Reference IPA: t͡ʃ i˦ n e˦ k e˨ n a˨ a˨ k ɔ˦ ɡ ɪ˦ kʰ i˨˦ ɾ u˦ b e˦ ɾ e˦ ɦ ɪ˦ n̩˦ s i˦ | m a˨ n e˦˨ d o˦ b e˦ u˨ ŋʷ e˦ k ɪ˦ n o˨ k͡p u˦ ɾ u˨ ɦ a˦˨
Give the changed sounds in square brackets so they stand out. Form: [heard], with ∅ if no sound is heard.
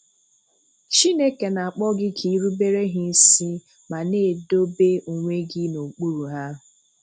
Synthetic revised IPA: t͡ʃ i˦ n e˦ k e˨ n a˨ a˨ [k͡p] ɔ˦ ɡ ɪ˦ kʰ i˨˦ ɾ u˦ b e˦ ɾ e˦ ɦ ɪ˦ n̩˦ s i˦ | m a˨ n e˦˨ d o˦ b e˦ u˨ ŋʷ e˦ [ɡ] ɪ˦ n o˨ k͡p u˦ ɾ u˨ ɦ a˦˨